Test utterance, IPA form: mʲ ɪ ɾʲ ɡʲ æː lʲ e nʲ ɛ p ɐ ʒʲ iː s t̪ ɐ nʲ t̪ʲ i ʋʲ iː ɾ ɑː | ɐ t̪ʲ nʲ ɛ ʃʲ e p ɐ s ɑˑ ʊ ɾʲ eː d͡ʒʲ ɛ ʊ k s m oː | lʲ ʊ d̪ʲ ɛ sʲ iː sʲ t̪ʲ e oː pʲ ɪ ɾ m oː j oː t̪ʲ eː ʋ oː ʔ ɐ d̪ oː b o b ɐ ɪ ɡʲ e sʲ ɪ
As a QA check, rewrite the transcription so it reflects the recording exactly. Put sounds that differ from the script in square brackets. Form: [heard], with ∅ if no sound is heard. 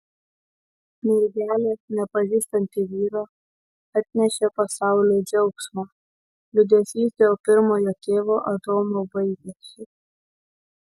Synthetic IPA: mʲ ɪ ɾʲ ɡʲ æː lʲ e nʲ ɛ p ɐ ʒʲ iː s t̪ ɐ nʲ t̪ʲ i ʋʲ iː ɾ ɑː | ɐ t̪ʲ nʲ ɛ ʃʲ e p ɐ s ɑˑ ʊ [lʲ] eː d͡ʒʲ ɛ ʊ k s m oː | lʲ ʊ d̪ʲ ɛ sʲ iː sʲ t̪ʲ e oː pʲ ɪ ɾ m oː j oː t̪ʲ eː ʋ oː ʔ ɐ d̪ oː [m] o b ɐ ɪ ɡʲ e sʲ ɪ